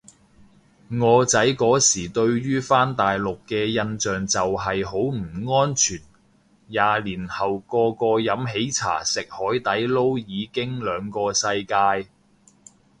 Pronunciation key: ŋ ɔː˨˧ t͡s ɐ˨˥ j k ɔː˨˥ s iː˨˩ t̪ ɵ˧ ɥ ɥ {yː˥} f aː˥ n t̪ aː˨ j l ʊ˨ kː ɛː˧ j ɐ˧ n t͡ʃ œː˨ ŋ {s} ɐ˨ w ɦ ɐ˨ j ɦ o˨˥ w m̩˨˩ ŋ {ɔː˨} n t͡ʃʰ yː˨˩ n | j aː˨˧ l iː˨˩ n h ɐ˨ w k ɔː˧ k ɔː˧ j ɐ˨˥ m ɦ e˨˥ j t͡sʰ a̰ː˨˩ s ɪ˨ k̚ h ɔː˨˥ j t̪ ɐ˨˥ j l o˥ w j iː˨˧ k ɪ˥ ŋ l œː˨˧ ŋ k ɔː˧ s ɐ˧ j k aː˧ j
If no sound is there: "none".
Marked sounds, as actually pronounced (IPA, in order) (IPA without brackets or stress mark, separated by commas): yː˥, t͡s, ɔː˥